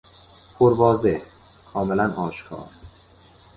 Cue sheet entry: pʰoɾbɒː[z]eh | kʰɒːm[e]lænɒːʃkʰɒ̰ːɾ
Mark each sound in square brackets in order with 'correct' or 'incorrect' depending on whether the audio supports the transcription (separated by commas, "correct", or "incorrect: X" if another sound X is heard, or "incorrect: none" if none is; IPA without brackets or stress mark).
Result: correct, correct